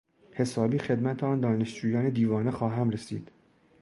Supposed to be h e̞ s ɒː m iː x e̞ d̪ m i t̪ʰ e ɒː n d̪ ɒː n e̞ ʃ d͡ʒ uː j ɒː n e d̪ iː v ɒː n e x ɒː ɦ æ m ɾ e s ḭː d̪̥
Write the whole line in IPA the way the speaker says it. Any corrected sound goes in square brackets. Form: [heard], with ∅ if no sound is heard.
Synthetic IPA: h e̞ s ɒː [b] iː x e̞ d̪ m [æ] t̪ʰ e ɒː n d̪ ɒː n e̞ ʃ d͡ʒ uː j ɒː n e d̪ iː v ɒː n e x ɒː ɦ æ m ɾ e s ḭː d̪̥